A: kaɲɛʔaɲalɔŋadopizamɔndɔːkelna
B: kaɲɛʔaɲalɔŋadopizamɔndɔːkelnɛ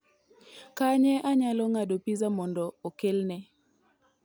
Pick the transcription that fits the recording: B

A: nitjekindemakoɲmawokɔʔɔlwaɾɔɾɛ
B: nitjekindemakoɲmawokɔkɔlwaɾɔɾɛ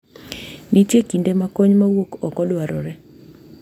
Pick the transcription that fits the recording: B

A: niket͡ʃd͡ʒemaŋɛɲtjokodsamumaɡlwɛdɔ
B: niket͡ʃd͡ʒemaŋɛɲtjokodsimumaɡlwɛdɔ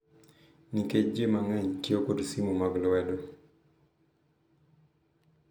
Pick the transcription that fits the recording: B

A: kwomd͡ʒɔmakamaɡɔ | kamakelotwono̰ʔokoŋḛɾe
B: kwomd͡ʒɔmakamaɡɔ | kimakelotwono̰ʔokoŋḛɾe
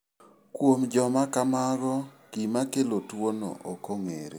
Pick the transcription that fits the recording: B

